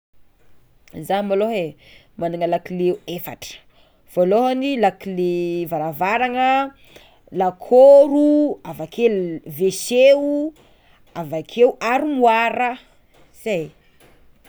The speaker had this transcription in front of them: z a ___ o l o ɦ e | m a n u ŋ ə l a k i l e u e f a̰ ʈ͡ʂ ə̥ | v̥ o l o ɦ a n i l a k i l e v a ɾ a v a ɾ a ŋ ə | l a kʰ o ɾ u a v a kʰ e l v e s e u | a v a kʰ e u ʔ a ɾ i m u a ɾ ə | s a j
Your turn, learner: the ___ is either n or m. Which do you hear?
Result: m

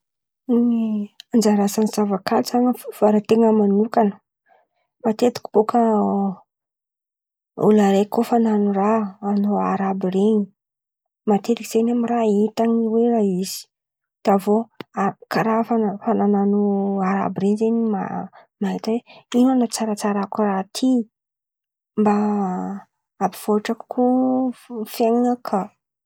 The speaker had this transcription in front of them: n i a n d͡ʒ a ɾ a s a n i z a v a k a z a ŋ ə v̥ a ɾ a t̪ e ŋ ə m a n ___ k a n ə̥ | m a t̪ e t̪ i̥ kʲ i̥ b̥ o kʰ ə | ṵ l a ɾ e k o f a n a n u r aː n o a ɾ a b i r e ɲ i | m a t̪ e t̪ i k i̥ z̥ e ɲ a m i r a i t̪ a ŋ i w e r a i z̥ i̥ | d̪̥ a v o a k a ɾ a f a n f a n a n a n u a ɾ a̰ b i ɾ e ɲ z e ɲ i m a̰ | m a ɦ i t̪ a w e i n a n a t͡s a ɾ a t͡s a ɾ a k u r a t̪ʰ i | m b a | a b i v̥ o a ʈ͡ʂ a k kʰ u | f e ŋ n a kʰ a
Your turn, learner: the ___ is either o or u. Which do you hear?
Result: u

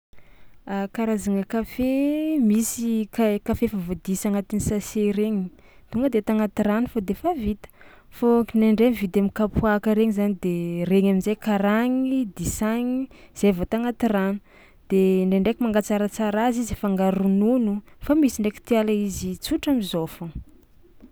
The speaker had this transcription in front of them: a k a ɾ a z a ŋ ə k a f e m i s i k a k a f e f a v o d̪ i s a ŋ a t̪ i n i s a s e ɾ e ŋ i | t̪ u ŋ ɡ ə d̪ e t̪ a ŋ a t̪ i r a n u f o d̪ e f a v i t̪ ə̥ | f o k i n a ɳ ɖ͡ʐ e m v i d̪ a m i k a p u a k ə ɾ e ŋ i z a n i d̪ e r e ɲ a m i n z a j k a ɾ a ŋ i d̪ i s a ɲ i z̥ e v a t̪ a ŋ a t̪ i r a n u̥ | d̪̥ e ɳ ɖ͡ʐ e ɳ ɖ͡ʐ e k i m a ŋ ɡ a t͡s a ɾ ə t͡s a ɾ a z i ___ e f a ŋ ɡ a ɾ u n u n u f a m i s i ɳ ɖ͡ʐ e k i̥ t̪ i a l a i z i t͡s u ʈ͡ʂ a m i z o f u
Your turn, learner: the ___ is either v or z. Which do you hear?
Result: z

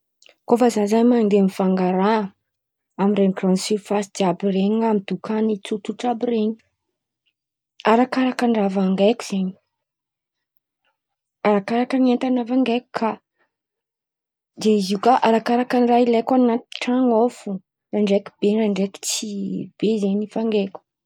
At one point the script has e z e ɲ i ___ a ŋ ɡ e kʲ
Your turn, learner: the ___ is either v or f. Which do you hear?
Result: f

